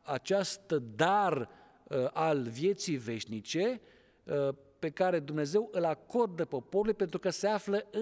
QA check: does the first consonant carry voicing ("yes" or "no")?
no